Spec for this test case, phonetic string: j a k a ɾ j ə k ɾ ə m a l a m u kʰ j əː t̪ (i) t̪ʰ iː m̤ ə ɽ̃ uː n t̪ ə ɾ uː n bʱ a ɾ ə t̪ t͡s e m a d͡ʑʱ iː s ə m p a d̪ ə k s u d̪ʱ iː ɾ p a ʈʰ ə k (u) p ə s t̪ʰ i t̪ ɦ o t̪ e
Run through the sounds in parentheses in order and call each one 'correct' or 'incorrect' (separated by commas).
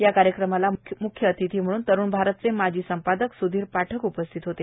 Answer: correct, correct